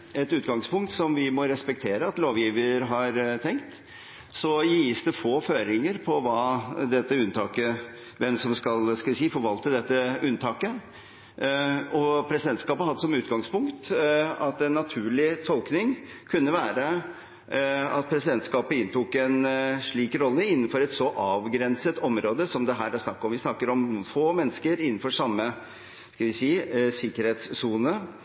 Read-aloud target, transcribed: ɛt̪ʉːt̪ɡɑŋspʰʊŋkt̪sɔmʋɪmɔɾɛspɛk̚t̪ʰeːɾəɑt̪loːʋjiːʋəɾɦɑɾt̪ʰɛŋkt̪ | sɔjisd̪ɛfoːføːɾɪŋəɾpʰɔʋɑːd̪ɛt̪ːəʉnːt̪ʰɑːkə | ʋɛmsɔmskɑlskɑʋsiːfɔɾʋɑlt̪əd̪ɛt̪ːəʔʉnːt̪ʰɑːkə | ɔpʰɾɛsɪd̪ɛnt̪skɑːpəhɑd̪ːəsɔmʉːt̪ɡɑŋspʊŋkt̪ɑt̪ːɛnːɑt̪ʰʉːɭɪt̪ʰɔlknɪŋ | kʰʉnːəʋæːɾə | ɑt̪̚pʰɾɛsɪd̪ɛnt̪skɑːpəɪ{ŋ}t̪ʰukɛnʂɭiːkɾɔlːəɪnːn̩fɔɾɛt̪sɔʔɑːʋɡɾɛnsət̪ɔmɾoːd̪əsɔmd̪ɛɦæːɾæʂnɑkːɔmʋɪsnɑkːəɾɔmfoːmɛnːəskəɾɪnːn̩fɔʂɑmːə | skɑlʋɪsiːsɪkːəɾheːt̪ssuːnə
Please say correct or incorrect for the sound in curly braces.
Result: incorrect: n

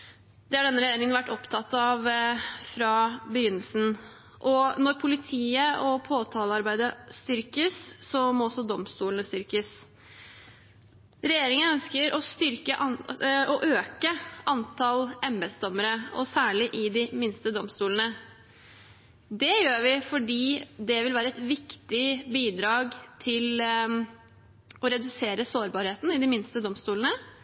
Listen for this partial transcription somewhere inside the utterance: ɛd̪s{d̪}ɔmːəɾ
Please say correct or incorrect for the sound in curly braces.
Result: correct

